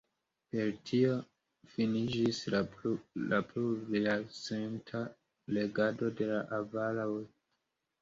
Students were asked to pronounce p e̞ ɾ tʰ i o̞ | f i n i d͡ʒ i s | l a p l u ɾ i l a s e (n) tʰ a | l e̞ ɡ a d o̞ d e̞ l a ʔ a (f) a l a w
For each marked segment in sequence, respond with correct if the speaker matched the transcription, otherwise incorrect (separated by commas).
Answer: correct, incorrect